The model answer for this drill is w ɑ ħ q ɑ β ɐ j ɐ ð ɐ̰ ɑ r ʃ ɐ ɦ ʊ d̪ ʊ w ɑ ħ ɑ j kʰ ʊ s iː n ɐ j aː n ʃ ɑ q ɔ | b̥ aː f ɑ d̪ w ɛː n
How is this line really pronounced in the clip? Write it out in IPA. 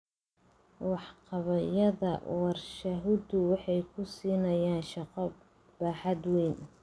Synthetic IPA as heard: w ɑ ħ q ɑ β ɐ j ɐ ð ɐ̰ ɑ r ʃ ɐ ɦ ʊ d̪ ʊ w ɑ ħ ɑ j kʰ ʊ s iː n ɐ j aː n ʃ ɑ q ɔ | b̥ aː ħ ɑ d̪ w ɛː n